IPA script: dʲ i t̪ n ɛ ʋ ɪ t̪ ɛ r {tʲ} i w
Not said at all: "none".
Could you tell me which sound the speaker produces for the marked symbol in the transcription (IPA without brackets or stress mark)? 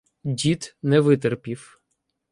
pʲ